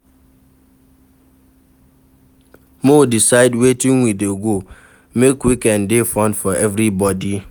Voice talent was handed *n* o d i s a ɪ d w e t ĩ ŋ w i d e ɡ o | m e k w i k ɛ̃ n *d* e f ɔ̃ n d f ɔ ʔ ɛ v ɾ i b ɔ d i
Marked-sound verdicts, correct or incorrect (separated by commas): incorrect, correct